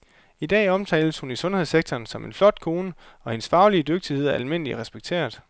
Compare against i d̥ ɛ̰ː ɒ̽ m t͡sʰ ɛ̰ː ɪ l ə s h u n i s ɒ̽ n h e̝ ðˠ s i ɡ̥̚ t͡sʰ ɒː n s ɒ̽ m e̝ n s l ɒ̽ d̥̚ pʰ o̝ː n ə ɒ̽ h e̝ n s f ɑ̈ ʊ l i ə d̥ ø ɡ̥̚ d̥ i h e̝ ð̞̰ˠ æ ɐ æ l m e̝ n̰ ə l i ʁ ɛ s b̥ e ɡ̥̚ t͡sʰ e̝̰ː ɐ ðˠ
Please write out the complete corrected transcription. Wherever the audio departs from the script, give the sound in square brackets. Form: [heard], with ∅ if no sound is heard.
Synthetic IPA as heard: i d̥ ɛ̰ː ɒ̽ m t͡sʰ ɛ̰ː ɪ l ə s h u n i s [ɔ̽] n h e̝ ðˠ s [e] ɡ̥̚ t͡sʰ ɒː n s ɒ̽ m e̝ n [f] l ɒ̽ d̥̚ [kʰ] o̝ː n ə ɒ̽ h e̝ n s f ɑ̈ ʊ l i ə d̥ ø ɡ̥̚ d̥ i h e̝ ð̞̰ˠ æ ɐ æ l m e̝ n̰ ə l i ʁ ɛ s b̥ e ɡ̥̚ t͡sʰ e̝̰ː ɐ ðˠ